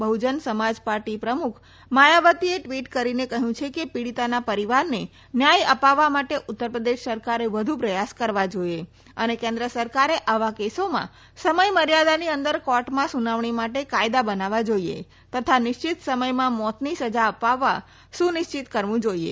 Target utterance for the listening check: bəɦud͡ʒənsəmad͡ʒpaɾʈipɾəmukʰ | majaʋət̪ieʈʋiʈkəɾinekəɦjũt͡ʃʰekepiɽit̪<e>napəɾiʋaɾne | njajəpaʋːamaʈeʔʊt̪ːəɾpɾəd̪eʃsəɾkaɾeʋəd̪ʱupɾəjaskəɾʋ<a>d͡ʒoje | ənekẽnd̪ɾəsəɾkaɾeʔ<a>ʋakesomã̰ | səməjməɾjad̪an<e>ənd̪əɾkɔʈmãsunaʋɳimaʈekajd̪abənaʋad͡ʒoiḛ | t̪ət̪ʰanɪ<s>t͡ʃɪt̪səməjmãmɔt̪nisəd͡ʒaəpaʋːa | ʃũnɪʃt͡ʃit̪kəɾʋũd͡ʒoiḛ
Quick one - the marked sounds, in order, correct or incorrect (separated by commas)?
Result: incorrect, correct, correct, incorrect, incorrect